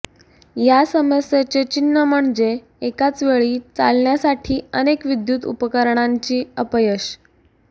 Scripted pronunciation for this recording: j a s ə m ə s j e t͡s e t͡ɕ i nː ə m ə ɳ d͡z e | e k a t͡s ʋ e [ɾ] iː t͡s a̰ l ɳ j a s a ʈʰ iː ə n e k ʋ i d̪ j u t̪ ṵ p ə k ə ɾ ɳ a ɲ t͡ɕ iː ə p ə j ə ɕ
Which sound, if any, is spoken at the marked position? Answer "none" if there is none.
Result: ɭ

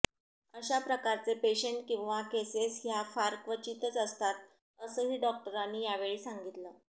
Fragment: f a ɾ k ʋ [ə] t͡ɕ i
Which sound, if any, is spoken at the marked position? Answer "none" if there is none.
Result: ə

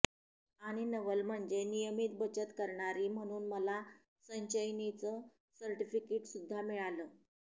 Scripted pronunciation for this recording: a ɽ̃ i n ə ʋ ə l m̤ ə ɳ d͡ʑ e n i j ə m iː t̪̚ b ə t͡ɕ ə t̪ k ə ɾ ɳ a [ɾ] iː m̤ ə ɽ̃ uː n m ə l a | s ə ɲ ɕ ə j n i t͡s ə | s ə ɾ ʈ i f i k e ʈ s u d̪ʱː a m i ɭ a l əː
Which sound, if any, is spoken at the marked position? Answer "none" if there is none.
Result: ɾ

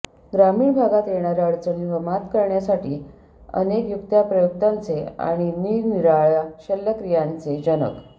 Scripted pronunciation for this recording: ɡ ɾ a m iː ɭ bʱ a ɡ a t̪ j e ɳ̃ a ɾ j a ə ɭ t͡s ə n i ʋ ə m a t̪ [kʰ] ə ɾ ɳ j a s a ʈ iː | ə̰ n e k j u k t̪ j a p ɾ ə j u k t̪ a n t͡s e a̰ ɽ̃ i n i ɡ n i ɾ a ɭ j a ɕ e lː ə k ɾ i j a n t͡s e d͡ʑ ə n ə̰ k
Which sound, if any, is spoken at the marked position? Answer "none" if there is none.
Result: k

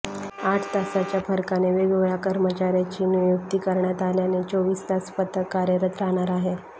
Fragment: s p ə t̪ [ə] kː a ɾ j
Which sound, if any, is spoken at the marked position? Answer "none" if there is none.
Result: ə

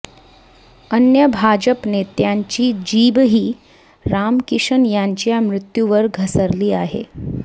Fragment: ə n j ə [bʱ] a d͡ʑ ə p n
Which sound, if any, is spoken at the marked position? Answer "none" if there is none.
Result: bʱ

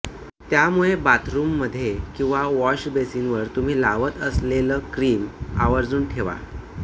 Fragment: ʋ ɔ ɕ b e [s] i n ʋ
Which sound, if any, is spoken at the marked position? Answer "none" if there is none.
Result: s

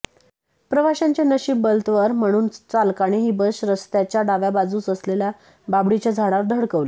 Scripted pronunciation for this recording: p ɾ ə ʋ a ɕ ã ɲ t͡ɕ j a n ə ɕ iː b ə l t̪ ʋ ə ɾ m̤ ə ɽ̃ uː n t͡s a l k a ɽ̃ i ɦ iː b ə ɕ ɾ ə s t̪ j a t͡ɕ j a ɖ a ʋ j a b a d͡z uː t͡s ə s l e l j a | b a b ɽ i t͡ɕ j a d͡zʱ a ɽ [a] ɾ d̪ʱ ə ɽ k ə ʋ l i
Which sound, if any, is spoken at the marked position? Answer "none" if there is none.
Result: a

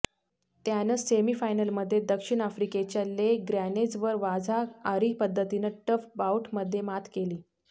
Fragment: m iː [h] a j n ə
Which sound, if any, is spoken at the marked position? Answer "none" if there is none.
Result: f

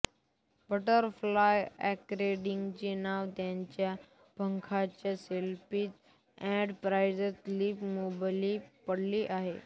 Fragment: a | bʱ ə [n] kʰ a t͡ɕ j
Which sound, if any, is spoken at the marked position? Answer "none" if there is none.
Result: ŋ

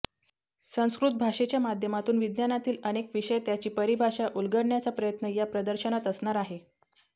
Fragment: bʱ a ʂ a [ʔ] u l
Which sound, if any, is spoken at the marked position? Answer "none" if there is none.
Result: ʔ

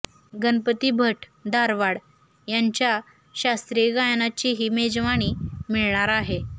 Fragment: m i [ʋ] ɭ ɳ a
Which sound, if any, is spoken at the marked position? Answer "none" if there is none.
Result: none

